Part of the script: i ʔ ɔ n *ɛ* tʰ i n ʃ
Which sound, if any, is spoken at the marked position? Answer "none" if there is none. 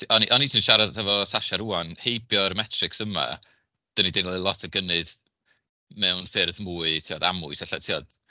i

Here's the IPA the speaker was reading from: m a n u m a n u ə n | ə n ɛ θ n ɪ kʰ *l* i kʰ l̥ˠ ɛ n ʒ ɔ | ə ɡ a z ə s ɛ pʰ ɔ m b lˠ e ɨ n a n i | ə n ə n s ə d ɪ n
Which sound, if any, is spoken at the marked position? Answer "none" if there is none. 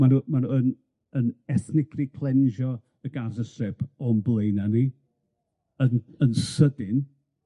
r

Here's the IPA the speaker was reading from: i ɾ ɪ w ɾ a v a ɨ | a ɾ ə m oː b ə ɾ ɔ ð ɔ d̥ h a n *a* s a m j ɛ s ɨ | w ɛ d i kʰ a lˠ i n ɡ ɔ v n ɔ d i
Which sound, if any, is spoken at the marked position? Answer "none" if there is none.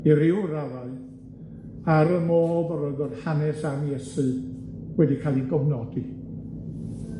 ɛ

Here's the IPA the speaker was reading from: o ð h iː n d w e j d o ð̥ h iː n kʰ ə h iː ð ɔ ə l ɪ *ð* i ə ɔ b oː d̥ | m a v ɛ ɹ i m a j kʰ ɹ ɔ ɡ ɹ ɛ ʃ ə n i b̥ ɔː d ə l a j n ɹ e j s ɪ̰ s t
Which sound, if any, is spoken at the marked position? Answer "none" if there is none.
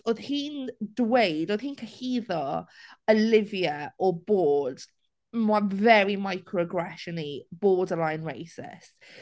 v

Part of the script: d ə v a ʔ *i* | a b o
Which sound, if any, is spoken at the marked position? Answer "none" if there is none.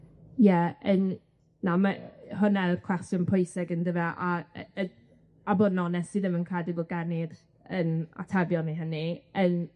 a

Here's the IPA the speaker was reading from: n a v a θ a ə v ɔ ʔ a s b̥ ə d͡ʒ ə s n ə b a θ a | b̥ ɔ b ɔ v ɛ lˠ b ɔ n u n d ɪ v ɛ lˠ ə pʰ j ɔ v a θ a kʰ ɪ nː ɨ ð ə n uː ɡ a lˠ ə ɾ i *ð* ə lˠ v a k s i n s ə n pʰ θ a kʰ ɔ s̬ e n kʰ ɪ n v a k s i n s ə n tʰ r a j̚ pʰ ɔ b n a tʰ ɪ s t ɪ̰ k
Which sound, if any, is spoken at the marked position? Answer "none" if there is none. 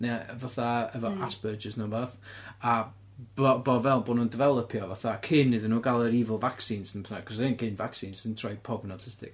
v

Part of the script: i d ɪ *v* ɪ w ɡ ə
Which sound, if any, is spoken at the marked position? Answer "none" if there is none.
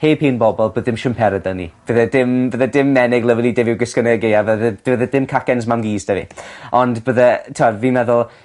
v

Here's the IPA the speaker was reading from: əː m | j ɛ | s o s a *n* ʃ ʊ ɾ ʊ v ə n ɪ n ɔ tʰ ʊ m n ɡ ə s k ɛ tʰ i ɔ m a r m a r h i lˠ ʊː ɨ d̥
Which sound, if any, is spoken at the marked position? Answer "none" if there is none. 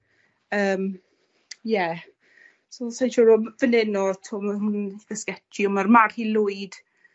n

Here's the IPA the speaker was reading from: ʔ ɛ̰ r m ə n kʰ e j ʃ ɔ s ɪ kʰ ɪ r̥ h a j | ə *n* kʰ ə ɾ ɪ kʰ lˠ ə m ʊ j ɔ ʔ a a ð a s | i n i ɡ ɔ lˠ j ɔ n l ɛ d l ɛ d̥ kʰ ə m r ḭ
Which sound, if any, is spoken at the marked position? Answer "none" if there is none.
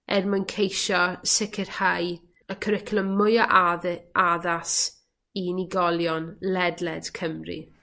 none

